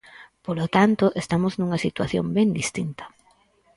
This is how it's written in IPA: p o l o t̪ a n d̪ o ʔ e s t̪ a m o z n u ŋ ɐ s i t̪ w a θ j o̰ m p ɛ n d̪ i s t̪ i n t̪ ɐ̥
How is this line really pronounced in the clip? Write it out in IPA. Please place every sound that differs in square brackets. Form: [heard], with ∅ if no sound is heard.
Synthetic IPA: p o l o t̪ a n [t̪] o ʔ e s t̪ a m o z n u ŋ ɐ s i t̪ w a θ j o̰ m [b] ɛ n d̪ i s t̪ i n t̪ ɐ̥